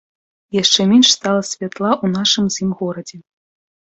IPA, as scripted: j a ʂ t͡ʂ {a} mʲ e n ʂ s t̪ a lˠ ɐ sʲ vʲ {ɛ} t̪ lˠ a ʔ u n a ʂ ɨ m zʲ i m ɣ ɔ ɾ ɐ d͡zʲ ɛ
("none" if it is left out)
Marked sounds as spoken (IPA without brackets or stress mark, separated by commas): ɛ, a